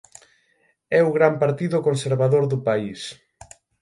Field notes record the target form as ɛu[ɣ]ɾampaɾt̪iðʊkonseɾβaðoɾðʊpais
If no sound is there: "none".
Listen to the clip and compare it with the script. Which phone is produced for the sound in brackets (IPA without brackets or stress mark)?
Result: ɣ